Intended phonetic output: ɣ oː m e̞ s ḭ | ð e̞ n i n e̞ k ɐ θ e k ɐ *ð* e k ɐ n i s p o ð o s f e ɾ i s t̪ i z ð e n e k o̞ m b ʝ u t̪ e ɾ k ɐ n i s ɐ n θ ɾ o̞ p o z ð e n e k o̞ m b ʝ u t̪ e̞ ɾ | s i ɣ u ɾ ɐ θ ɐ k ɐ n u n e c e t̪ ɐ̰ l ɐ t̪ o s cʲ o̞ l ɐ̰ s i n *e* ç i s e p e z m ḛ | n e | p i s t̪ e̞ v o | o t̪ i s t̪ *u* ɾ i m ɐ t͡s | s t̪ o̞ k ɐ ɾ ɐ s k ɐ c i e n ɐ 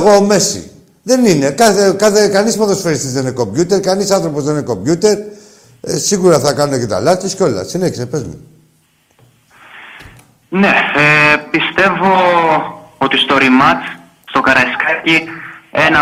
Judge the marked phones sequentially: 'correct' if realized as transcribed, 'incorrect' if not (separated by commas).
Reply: incorrect, correct, incorrect